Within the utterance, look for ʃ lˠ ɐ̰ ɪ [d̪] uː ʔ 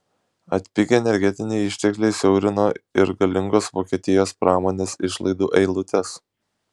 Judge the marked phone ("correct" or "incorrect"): correct